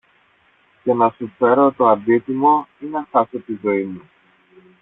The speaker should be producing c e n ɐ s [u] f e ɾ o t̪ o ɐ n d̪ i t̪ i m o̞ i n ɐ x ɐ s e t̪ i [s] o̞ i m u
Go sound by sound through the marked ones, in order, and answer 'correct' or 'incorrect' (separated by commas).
correct, incorrect